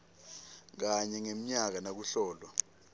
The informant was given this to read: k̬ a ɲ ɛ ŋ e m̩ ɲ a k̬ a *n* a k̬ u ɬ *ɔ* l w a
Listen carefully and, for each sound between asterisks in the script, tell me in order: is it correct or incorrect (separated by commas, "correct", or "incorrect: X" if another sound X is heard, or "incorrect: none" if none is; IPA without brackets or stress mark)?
correct, incorrect: ɔː